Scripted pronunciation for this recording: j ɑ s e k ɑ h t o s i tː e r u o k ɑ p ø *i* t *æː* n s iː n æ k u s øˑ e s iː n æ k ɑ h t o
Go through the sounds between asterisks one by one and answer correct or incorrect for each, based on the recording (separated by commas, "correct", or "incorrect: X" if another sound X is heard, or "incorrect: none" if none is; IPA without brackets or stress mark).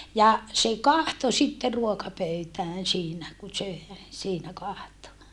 incorrect: y, correct